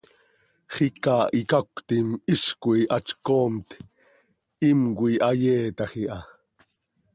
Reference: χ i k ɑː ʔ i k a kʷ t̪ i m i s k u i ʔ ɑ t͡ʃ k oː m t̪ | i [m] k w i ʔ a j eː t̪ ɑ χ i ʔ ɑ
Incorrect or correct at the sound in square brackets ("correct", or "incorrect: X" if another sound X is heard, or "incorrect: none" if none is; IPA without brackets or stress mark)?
correct